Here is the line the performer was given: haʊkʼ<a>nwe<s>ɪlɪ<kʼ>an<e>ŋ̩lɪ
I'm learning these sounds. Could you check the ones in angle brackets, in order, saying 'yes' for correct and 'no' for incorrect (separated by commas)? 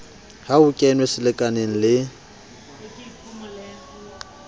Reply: no, yes, yes, yes